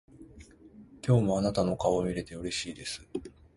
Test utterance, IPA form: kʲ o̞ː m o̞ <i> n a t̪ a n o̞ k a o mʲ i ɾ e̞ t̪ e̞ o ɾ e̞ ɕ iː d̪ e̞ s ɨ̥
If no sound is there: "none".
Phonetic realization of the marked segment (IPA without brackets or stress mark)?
a